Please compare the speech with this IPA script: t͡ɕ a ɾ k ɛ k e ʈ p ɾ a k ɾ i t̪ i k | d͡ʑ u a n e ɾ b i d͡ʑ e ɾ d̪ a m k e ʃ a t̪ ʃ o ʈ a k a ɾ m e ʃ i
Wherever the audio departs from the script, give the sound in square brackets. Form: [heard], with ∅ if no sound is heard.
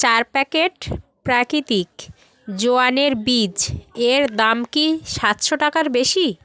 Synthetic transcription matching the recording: t͡ɕ a ɾ [p] ɛ k e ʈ p ɾ a k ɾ i t̪ i k | d͡ʑ [o] a n e ɾ b i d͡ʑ e ɾ d̪ a m k [i] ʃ a t̪ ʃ o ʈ a k a ɾ [b] e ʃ i